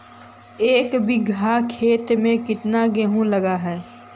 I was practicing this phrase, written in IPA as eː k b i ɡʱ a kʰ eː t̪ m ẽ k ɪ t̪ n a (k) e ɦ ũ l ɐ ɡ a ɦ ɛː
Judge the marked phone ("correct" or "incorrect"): incorrect